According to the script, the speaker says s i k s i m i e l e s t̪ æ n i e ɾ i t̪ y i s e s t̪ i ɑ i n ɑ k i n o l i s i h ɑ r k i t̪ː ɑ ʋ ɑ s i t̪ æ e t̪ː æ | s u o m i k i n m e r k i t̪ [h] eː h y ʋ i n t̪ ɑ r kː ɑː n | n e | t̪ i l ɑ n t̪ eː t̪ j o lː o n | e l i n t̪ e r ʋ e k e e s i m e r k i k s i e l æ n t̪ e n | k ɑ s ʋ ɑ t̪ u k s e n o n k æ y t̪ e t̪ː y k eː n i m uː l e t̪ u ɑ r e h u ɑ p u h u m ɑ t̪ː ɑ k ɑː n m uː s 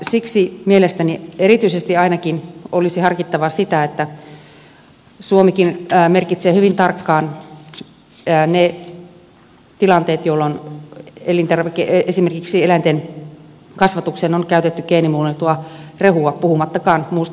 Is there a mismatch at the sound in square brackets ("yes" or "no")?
yes